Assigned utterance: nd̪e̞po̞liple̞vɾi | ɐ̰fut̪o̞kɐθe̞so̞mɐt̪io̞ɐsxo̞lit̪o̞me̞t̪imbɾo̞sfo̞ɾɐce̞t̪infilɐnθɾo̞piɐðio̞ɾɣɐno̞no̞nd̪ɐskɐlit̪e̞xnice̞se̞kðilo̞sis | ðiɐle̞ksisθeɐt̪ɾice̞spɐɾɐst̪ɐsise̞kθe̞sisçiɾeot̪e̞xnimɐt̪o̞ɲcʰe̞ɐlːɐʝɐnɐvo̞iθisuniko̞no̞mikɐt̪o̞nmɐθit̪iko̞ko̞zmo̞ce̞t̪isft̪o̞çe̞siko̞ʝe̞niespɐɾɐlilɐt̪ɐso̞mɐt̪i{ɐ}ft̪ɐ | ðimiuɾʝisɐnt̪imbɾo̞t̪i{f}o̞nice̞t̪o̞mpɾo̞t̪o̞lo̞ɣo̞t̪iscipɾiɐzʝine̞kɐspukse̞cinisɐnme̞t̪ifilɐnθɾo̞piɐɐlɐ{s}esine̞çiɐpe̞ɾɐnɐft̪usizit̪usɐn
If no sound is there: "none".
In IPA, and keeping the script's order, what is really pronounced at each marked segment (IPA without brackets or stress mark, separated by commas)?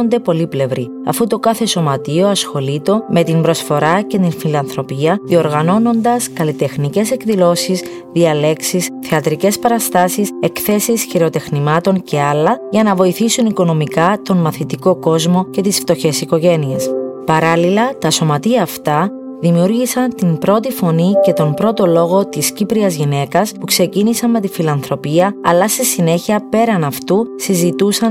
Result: ɐː, f, s